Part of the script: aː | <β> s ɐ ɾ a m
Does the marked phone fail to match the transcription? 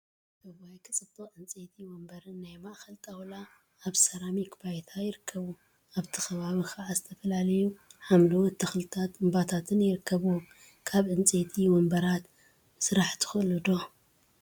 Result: no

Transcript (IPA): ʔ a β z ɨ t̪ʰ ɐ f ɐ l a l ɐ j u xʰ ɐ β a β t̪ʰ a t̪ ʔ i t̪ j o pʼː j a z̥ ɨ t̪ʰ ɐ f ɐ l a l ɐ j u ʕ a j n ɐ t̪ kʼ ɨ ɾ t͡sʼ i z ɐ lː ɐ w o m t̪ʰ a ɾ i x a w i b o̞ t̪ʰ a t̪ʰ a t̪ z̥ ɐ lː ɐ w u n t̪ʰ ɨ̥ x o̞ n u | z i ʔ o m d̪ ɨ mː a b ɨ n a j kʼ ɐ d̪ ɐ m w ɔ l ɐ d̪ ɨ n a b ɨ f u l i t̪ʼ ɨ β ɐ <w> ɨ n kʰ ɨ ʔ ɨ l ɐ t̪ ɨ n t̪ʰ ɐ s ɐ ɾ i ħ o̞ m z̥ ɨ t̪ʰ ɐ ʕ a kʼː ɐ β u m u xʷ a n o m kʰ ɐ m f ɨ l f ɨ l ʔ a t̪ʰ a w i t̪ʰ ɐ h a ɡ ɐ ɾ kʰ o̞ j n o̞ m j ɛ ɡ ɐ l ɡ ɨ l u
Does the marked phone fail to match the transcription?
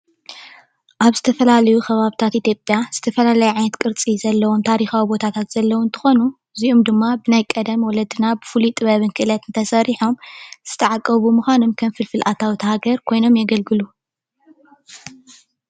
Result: yes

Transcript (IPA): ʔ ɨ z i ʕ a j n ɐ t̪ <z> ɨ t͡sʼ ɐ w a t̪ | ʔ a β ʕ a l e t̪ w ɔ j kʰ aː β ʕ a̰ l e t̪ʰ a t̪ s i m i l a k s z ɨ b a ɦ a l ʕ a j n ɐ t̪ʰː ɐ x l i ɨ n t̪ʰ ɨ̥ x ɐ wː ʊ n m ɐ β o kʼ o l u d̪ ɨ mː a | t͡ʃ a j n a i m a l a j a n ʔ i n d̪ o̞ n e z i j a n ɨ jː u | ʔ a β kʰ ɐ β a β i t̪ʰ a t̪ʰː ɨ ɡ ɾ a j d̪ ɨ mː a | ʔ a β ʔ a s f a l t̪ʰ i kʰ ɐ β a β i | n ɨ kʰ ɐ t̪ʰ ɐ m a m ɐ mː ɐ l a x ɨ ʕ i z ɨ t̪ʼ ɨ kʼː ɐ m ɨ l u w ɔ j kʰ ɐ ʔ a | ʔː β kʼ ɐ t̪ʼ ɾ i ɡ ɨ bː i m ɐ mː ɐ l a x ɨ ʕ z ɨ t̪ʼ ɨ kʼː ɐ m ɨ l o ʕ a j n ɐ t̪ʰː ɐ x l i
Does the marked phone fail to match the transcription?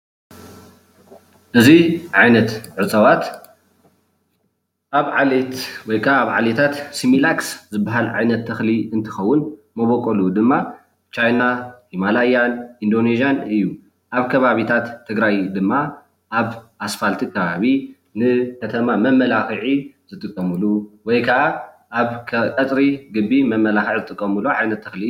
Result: yes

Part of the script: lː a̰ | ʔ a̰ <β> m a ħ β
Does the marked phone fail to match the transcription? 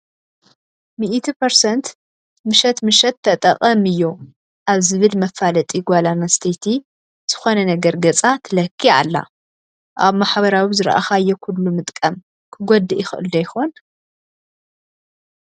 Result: no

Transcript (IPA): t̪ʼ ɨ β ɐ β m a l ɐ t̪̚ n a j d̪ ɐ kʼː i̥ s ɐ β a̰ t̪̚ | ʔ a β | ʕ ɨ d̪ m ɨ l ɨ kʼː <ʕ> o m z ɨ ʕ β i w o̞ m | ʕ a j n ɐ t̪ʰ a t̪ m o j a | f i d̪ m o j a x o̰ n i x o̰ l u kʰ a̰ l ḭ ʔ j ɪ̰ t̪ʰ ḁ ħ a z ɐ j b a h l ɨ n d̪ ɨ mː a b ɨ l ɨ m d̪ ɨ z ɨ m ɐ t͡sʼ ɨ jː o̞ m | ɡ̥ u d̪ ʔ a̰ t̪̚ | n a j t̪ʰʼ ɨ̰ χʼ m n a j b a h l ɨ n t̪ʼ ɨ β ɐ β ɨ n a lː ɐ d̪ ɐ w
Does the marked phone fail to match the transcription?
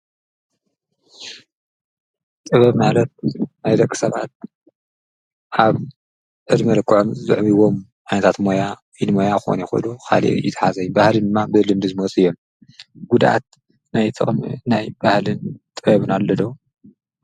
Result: no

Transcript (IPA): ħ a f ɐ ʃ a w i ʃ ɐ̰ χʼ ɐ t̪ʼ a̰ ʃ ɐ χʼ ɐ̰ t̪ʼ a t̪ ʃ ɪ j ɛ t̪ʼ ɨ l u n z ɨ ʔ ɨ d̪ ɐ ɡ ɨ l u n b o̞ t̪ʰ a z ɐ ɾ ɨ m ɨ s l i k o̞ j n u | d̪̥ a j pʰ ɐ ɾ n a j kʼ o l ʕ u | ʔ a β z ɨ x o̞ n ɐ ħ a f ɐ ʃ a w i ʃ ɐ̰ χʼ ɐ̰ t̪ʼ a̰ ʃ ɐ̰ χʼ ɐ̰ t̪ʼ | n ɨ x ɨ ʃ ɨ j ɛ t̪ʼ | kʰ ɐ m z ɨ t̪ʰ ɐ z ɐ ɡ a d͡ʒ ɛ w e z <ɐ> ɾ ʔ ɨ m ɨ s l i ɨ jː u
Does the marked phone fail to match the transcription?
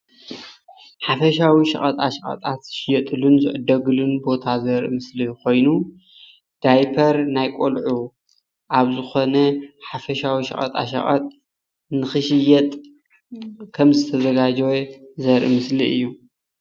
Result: no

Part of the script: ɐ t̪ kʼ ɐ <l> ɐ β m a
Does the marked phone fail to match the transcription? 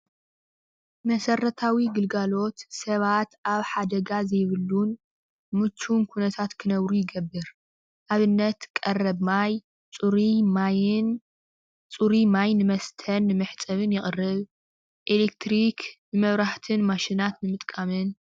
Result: yes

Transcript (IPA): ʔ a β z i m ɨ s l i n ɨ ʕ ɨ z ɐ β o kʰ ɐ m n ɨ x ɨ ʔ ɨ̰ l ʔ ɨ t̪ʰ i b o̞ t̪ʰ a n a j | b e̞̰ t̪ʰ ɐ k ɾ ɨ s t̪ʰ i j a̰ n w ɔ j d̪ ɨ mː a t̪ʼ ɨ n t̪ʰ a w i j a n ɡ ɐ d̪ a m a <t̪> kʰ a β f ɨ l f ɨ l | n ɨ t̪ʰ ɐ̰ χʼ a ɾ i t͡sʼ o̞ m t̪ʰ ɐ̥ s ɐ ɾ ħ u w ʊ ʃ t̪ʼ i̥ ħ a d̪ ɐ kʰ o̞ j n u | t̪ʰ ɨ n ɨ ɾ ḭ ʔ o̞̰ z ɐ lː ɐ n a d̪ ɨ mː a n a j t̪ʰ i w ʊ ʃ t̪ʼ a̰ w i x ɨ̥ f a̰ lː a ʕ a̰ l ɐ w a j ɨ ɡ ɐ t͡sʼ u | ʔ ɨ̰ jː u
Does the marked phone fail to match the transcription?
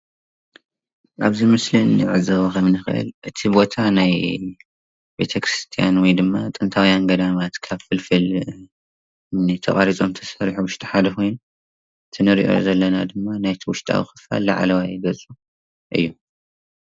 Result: no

